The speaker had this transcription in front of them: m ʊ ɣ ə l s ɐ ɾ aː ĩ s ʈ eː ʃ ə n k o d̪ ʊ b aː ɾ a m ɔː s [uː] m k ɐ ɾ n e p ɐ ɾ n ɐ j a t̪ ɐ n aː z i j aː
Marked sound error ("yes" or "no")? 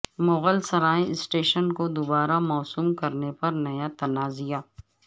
no